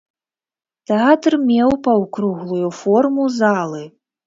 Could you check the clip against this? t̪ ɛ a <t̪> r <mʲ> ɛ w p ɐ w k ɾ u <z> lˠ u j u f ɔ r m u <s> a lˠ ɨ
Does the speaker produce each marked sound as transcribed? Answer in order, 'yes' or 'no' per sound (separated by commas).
yes, yes, no, no